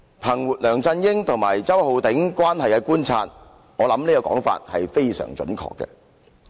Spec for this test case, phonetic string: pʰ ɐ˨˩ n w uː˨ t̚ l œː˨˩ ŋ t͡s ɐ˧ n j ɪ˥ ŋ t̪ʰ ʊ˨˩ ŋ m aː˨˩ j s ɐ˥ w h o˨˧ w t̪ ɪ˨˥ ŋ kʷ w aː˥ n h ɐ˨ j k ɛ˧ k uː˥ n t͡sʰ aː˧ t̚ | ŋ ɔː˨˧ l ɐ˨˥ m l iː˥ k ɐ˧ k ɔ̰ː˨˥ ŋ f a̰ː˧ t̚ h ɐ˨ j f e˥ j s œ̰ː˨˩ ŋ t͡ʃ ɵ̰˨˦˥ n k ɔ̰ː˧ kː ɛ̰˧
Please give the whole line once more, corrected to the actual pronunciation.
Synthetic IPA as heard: pʰ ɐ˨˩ ŋ w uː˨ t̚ l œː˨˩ ŋ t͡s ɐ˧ n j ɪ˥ ŋ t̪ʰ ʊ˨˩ ŋ m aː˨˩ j t͡s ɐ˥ w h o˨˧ w t̪ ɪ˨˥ ŋ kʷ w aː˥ n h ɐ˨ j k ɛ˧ k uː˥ n t͡sʰ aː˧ t̚ | ŋ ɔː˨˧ l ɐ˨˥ m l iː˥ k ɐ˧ k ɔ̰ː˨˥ ŋ f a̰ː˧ t̚ h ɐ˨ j f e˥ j s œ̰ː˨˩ ŋ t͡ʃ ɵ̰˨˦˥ n kʰ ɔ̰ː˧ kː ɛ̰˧

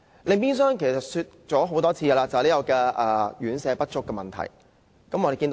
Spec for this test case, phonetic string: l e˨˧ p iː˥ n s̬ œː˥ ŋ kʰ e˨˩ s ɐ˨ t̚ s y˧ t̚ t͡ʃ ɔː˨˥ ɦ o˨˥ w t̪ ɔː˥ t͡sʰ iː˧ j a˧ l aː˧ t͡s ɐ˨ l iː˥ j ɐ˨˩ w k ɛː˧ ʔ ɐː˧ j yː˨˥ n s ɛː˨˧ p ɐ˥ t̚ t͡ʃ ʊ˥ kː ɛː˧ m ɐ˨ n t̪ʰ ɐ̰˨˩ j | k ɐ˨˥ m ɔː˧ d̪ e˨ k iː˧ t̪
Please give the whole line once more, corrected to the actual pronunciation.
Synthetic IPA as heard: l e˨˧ p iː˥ n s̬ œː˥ ŋ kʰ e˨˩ s ɐ˨ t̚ s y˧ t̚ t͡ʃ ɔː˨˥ ɦ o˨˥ w t̪ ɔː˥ t͡sʰ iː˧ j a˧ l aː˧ t͡s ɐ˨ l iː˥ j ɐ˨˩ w k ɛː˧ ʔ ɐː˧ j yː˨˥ n s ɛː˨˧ p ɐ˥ t̚ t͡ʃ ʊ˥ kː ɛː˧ m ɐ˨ n t̪ʰ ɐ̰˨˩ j | k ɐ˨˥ m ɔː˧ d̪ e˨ k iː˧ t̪

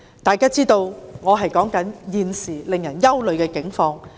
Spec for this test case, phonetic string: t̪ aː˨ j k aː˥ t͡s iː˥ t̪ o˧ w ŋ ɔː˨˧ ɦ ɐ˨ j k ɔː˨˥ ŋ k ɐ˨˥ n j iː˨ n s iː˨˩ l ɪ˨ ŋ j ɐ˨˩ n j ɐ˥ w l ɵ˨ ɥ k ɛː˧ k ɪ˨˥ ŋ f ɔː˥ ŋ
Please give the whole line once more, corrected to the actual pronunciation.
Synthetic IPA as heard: t̪ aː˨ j k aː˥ t͡s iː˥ t̪ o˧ w ŋ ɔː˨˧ ɦ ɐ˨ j k ɔː˨˥ ŋ k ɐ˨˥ n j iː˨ n s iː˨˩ l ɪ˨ ŋ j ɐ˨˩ n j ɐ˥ w l ɵ˨ ɥ k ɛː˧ k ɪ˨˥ ŋ f ɔː˧ ŋ

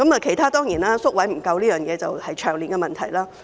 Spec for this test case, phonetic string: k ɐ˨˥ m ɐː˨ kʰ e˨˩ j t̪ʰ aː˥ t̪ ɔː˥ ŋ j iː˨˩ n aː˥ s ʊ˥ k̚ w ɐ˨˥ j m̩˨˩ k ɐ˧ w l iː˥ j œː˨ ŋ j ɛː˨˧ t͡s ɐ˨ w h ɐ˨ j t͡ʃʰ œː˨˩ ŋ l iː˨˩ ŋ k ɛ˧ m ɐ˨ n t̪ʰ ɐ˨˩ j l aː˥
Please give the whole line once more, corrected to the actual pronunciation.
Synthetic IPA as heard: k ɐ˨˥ m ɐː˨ kʰ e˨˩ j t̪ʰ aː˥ t̪ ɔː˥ ŋ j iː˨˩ n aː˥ s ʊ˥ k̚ w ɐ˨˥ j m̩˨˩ k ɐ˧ w l iː˥ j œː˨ ŋ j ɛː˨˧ t͡s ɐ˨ w h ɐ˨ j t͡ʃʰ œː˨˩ ŋ l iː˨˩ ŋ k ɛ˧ m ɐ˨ n t̪ʰ ɐ˨˩ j l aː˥

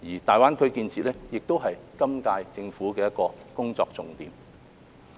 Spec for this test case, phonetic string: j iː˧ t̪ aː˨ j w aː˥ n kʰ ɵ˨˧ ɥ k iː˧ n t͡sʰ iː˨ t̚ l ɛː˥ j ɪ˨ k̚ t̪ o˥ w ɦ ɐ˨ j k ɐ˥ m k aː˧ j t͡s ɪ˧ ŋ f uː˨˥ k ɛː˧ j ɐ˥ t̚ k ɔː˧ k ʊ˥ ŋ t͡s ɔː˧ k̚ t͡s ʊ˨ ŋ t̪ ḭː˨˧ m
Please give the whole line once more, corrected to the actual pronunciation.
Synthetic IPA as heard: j iː˨˩ t̪ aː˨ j w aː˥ n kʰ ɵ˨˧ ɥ k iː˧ n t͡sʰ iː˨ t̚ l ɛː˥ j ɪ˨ k̚ t̪ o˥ w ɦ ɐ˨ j k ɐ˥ m k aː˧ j t͡s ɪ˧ ŋ f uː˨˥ k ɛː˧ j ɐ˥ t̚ k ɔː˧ k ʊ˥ ŋ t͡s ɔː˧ k̚ t͡s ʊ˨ ŋ t̪ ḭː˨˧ m

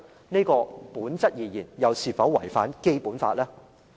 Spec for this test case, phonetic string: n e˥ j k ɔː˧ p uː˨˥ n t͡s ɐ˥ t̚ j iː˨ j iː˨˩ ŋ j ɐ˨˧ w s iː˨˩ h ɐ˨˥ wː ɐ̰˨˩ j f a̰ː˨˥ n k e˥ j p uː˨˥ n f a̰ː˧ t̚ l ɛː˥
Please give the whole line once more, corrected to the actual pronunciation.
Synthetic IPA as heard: n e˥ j k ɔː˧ p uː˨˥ n t͡s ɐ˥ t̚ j iː˨ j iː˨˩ n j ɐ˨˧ w s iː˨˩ f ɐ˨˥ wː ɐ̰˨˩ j f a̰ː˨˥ n k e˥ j p uː˨˥ n f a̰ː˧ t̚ l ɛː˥

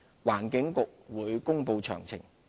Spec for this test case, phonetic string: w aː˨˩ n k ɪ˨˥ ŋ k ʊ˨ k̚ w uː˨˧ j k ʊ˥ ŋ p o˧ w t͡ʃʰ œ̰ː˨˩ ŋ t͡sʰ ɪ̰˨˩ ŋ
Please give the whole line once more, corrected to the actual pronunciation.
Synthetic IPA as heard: w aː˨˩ n k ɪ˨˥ ŋ k ʊ˨ k̚ w uː˨˧ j k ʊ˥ ŋ p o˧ w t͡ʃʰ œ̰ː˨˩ ŋ t͡sʰ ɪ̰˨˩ ŋ

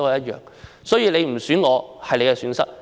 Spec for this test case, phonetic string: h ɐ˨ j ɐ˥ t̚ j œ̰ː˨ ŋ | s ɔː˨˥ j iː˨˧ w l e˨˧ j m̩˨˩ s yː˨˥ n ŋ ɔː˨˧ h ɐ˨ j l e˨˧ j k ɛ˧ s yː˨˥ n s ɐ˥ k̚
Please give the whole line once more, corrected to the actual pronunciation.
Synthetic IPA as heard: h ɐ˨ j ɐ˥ t̚ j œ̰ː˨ ŋ | s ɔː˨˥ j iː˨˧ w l e˨˧ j m̩˨˩ s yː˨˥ n ŋ ɔː˨˧ h ɐ˨ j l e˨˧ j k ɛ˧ s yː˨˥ n s ɐ˥ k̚

